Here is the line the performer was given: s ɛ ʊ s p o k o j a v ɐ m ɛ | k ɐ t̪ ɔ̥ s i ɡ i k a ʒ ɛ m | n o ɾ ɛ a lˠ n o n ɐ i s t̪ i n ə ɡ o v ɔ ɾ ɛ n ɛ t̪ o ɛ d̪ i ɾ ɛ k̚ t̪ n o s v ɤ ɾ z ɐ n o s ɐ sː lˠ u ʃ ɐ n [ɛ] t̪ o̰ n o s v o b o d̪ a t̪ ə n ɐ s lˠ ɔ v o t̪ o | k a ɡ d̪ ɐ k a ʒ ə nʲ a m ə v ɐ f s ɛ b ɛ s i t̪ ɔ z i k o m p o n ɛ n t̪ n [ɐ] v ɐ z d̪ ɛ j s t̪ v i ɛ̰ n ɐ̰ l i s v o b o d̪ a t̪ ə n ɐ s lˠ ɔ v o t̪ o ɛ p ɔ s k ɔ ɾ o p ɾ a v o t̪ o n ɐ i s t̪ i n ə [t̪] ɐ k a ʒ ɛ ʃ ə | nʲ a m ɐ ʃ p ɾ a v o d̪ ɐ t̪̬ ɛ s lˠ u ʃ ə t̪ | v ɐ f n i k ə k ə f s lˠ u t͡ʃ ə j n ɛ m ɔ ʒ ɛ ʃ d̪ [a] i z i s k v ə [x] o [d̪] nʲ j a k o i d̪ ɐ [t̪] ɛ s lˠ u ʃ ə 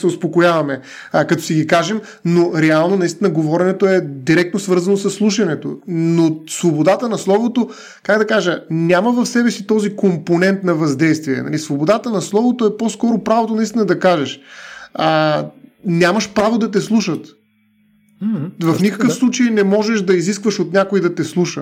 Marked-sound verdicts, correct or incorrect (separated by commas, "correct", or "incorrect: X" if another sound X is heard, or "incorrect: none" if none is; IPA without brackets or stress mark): correct, correct, incorrect: d̪, incorrect: ɐ, incorrect: ʃ, incorrect: t̪, correct